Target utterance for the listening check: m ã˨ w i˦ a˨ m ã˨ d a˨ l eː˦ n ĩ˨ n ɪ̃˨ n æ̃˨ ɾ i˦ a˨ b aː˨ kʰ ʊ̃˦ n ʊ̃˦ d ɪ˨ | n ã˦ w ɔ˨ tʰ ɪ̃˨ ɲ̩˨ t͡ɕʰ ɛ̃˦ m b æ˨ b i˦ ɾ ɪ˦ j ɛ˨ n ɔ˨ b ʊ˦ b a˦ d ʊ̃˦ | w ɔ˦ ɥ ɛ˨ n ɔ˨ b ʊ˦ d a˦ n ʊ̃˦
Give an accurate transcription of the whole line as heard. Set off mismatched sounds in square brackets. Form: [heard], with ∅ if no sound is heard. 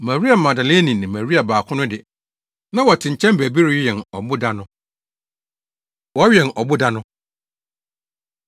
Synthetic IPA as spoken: m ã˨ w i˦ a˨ m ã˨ d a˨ l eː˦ n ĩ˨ n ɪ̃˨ [m] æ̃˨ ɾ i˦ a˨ b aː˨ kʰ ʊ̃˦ n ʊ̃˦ d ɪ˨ | n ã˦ w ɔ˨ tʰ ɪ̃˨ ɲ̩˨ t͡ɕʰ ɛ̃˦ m b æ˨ b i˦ ɾ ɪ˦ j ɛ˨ n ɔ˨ b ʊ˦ [d] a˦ [n] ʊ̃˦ | w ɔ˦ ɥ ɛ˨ n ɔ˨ b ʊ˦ d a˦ n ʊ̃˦